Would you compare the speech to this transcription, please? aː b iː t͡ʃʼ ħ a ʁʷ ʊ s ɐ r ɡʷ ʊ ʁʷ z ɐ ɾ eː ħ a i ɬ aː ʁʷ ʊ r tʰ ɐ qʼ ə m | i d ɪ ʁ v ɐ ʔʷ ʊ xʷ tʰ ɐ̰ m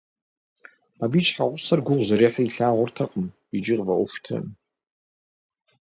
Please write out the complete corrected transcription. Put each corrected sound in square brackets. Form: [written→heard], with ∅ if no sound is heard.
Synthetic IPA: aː b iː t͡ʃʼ ħ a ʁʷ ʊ s ɐ r ɡʷ ʊ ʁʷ z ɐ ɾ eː ħ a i ɬ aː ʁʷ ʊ r tʰ ɐ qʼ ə m | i [d→d͡ʒ] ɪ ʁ v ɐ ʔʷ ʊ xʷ tʰ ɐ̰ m